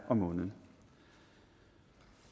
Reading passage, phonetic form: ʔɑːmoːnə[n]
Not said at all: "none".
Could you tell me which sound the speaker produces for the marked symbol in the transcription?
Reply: n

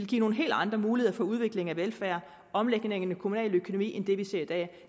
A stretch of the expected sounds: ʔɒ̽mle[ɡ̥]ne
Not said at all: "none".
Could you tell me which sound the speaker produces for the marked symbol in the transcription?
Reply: ɡ̥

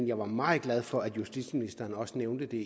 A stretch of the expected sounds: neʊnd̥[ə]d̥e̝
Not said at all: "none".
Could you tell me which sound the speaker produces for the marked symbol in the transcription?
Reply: ə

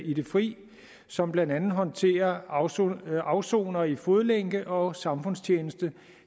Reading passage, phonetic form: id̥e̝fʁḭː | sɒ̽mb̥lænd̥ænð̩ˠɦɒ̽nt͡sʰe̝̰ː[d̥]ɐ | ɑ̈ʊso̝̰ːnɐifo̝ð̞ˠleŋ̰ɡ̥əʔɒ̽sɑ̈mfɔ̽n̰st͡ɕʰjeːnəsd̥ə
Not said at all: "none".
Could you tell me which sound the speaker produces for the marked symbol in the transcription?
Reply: none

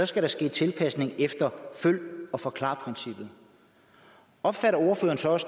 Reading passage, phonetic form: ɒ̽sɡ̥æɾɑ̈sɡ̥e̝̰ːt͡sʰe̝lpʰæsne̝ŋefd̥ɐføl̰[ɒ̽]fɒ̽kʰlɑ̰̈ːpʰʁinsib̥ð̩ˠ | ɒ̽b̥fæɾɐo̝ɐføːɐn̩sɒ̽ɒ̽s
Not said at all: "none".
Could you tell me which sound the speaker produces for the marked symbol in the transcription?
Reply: ɒ̽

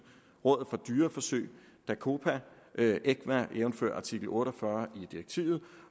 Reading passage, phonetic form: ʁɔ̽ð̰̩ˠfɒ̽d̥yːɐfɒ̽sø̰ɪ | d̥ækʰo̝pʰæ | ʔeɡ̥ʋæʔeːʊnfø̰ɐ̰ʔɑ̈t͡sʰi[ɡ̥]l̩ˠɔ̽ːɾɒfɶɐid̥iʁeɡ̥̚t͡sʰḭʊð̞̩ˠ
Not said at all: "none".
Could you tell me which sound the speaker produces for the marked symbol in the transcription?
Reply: ɡ̥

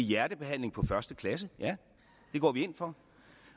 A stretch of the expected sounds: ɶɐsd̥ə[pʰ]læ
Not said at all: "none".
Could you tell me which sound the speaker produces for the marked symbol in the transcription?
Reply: kʰ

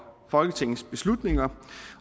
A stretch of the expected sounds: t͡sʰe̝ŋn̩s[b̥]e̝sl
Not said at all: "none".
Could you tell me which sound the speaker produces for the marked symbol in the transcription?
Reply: b̥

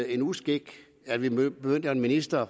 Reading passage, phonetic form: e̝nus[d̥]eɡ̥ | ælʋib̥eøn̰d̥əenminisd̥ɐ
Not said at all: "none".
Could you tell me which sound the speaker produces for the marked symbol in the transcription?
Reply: ɡ̥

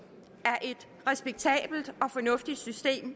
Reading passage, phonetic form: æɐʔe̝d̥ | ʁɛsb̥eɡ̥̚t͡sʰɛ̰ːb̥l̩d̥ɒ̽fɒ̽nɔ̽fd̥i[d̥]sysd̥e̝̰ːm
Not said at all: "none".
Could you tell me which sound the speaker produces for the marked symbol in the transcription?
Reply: d̥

